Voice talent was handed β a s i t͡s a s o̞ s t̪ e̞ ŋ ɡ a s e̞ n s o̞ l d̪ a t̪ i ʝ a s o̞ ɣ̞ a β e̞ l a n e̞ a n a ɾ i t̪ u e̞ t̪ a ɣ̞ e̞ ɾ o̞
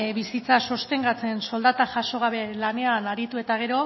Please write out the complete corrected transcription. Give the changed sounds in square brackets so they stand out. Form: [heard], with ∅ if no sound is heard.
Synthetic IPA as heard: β [i] s i t͡s a s o̞ s t̪ e̞ ŋ ɡ a [t͡s] e̞ n s o̞ l d̪ a t̪ [a] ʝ a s o̞ ɣ̞ a β e̞ l a n e̞ a n a ɾ i t̪ u e̞ t̪ a ɣ̞ e̞ ɾ o̞